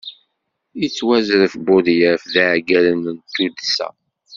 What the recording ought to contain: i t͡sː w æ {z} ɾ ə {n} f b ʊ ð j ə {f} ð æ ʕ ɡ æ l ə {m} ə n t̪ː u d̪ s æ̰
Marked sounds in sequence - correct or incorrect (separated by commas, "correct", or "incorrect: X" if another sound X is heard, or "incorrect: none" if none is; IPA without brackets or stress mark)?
correct, incorrect: none, correct, incorrect: n